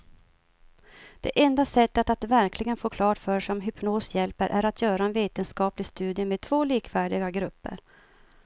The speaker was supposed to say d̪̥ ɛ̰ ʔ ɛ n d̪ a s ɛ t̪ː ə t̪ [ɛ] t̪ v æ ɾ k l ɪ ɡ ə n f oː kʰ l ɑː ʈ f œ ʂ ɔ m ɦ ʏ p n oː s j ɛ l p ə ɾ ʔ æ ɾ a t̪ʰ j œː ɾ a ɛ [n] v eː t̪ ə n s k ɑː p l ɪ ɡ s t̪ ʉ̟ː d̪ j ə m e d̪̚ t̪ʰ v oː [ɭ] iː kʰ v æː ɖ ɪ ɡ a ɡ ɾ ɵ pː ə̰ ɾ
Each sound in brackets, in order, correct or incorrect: incorrect: a, correct, incorrect: l

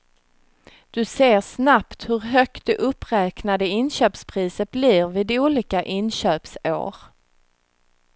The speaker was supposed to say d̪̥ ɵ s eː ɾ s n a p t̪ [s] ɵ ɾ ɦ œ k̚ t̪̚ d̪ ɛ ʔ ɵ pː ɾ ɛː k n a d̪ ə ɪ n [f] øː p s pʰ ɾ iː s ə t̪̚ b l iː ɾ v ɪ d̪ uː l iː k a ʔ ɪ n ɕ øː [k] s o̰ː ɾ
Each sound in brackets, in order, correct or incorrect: incorrect: h, incorrect: ɕ, incorrect: p

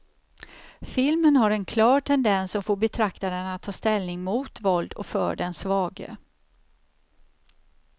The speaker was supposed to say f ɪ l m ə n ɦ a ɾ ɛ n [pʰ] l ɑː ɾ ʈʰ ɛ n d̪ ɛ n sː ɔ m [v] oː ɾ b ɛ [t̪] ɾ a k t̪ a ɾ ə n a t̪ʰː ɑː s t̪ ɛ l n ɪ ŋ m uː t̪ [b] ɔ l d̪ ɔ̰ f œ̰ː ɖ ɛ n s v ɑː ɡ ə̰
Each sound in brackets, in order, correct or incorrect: incorrect: kʰ, incorrect: f, incorrect: t̪ʰ, incorrect: v

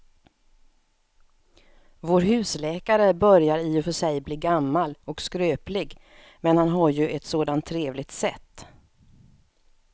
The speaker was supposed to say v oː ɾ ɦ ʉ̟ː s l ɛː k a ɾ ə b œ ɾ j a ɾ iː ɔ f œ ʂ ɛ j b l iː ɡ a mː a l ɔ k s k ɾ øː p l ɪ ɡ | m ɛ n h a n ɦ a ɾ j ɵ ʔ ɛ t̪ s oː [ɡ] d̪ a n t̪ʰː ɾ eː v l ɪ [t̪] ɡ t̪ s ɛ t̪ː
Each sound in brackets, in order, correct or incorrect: incorrect: none, incorrect: none

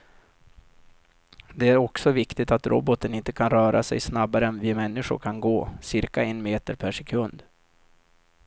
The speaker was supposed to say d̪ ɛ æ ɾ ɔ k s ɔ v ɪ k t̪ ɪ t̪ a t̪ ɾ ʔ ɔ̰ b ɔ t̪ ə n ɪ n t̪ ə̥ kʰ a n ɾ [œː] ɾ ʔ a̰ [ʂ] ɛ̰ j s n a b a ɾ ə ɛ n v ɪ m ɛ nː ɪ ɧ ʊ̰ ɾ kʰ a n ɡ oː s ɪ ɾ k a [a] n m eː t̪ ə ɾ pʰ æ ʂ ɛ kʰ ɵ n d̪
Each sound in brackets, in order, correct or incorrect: correct, incorrect: s, incorrect: ɛ

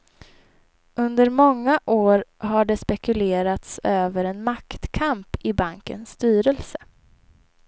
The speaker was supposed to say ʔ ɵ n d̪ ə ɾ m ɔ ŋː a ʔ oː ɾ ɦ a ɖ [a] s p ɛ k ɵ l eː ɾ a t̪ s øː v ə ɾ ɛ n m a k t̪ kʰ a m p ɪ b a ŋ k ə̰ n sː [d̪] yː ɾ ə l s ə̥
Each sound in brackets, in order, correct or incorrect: incorrect: ɛ, incorrect: t̪

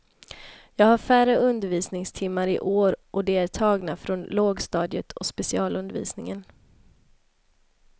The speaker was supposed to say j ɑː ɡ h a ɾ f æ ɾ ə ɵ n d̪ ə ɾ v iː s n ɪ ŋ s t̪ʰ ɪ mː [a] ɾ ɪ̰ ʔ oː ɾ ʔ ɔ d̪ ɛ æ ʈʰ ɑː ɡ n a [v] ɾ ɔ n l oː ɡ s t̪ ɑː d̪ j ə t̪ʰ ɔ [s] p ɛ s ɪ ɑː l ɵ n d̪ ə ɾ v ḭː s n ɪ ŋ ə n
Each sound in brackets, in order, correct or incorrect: correct, incorrect: f, correct

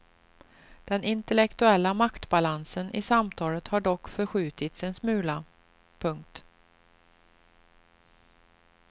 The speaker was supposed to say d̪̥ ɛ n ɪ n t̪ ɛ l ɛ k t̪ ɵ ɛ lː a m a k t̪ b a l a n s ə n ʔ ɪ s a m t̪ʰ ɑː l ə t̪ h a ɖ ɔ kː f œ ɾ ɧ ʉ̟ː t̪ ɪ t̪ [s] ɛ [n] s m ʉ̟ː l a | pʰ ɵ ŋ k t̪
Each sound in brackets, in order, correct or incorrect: correct, correct

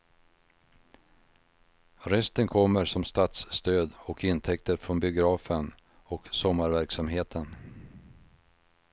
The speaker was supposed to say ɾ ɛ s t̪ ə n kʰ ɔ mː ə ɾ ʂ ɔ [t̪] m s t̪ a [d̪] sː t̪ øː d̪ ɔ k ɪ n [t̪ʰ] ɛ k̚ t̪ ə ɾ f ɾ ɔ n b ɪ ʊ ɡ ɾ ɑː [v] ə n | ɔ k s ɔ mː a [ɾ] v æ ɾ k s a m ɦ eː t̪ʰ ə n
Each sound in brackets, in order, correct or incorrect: incorrect: none, incorrect: t̪, correct, incorrect: f, correct

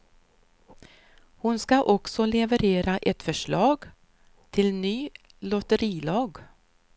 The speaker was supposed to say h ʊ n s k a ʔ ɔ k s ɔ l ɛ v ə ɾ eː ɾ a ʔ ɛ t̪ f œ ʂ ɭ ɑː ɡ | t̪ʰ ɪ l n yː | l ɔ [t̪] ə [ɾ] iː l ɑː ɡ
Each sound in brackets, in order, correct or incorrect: correct, correct

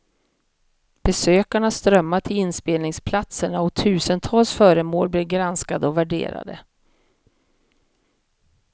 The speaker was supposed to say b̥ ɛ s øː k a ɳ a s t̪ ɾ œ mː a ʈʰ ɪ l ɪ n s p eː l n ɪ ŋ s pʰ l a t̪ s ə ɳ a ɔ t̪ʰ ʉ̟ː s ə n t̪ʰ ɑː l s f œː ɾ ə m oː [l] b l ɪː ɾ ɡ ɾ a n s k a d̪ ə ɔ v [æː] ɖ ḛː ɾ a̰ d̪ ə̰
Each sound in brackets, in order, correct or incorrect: correct, incorrect: æ

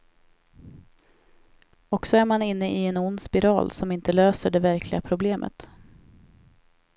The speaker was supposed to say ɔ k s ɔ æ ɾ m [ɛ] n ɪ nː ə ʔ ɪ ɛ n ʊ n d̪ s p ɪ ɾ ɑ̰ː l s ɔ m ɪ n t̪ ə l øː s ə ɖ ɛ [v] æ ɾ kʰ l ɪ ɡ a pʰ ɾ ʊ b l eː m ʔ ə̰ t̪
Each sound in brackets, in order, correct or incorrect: incorrect: a, correct

